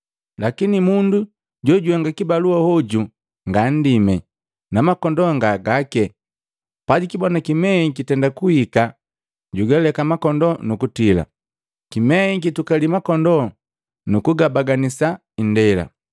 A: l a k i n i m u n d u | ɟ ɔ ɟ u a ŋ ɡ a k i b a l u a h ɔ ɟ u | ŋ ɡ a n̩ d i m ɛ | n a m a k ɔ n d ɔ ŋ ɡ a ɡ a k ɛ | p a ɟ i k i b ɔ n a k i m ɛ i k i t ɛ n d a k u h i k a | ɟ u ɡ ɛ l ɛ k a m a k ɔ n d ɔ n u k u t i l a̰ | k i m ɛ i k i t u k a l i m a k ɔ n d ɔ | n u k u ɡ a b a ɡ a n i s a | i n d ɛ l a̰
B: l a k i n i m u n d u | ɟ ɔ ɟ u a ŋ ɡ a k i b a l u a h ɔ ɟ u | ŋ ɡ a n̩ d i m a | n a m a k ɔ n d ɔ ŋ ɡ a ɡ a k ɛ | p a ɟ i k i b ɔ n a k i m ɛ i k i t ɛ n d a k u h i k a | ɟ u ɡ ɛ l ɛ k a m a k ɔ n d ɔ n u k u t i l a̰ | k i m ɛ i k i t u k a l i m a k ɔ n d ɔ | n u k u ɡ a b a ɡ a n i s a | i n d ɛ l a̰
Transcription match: A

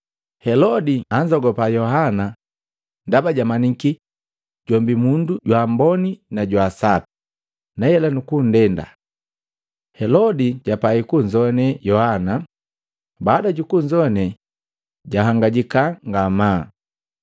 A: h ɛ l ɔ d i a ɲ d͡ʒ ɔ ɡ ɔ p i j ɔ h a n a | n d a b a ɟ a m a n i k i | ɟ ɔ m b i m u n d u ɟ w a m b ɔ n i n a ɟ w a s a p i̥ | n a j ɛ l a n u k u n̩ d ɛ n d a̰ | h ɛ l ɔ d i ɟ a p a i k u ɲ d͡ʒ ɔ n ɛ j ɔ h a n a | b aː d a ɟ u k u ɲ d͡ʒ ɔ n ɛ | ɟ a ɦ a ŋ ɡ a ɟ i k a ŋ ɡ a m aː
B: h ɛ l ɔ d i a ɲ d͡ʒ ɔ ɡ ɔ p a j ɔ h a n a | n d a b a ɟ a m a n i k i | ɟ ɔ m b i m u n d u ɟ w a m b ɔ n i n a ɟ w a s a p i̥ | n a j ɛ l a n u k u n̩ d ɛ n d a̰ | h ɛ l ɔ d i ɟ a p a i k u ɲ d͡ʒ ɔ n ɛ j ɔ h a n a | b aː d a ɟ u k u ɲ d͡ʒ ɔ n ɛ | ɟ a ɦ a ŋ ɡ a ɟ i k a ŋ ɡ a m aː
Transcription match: B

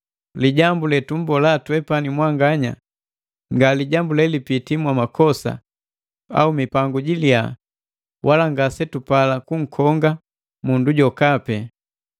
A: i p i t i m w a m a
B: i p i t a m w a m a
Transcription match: A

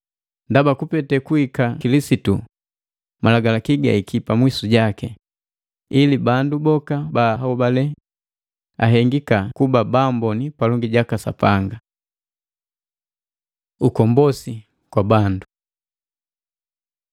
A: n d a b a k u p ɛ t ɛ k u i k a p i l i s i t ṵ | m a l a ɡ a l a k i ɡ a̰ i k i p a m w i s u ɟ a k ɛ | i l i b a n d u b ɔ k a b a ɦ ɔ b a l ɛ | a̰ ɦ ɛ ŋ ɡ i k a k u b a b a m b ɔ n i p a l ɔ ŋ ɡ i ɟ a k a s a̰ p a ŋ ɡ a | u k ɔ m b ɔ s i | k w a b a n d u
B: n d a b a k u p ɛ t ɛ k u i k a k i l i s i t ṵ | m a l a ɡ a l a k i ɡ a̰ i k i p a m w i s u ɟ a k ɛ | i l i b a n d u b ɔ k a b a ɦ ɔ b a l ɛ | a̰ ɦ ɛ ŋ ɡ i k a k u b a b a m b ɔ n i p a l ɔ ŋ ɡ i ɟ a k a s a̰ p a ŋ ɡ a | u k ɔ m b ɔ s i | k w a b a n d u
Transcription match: B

